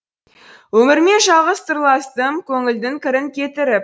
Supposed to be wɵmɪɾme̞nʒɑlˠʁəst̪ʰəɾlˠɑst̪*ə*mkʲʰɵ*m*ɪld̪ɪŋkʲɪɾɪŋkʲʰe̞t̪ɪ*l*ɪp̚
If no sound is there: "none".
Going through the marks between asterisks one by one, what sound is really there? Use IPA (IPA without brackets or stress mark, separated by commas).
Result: ə, ŋ, ɾ